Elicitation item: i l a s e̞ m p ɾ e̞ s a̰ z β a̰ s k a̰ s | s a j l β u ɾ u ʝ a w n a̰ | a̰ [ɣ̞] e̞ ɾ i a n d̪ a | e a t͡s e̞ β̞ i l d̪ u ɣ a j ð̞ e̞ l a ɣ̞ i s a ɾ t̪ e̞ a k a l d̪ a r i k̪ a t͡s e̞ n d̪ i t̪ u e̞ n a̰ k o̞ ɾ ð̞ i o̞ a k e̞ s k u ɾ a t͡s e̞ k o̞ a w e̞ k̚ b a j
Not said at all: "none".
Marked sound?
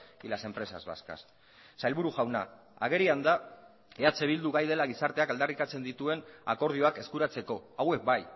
ɣ̞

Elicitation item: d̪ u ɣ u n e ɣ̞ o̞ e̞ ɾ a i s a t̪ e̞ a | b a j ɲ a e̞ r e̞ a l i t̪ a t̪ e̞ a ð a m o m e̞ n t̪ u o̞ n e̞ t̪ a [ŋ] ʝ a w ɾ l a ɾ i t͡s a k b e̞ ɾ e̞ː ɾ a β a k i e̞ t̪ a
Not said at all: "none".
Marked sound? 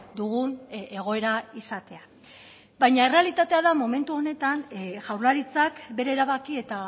n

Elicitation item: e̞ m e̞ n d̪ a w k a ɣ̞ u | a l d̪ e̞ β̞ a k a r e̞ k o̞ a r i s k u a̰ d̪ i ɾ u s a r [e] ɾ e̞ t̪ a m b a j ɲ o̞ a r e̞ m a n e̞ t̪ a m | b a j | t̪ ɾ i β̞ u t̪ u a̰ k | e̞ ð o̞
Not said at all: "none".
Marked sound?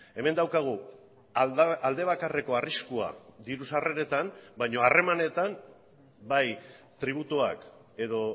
e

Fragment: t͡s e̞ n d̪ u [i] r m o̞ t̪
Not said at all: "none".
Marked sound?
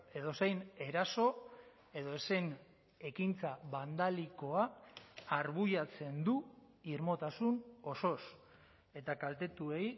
i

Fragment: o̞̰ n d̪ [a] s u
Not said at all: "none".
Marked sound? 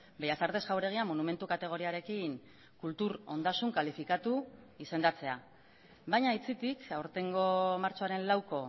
a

